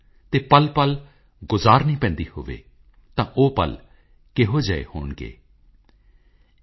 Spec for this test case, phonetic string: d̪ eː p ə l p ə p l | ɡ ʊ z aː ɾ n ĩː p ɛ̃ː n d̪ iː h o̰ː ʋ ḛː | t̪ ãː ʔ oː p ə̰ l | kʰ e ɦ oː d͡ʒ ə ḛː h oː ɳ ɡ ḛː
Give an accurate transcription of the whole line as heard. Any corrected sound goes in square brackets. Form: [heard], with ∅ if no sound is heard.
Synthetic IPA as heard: [t̪] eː p ə l p ə [∅] l | ɡ ʊ z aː ɾ n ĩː p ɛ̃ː n d̪ iː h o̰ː ʋ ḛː | t̪ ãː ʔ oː p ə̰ l | [k] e ɦ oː d͡ʒ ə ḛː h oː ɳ ɡ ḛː

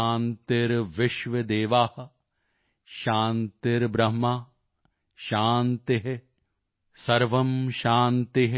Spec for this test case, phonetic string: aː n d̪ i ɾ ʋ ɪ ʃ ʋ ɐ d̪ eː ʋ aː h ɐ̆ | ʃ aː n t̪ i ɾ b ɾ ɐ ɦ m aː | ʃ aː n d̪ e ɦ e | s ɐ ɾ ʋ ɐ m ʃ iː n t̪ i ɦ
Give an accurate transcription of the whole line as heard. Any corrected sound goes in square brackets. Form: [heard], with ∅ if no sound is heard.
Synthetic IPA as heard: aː n [t̪] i ɾ ʋ ɪ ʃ ʋ ɐ d̪ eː ʋ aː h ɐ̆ | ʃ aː n t̪ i ɾ b ɾ ɐ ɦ m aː | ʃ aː n [t̪] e ɦ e | s ɐ ɾ ʋ ɐ m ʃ [aː] n t̪ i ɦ

